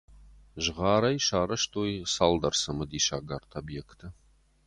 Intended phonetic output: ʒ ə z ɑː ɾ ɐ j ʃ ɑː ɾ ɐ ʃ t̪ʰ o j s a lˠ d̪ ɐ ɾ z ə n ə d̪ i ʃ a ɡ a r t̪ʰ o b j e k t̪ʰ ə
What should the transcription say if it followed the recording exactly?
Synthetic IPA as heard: ʒ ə ʁ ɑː ɾ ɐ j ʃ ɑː ɾ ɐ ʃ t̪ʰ o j s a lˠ d̪ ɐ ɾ s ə m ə d̪ i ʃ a ɡ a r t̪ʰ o b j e k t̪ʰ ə